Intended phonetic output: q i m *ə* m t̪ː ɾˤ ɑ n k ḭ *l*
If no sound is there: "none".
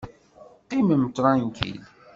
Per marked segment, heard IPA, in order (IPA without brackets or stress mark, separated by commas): ə, l